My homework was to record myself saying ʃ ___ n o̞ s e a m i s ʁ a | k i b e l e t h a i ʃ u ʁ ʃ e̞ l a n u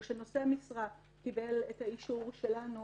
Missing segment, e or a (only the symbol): e